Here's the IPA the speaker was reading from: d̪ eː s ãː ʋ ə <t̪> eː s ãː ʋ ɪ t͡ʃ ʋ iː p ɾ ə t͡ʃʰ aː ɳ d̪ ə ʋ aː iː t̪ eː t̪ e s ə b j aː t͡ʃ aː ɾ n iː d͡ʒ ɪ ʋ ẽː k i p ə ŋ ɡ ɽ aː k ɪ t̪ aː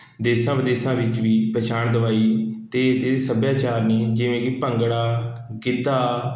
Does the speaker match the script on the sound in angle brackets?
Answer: no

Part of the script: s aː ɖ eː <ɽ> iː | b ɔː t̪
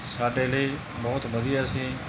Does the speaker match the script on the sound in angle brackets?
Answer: no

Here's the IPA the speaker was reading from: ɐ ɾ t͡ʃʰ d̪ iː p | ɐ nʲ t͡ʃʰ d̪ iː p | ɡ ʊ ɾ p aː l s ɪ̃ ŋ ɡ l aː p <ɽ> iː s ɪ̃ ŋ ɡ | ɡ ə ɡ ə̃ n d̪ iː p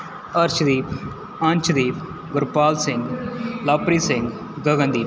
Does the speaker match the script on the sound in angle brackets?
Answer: no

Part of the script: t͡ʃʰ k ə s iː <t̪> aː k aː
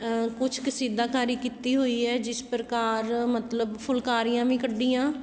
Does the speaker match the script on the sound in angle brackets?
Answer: no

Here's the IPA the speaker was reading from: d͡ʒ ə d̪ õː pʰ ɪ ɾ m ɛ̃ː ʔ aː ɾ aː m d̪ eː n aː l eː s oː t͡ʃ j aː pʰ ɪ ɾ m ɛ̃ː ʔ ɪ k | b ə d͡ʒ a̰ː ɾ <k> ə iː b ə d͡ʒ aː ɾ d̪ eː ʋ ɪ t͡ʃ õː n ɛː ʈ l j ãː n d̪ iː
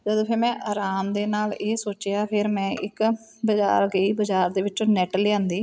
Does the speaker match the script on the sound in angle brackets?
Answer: no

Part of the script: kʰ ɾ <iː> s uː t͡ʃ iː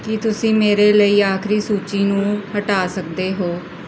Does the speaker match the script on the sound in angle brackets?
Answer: yes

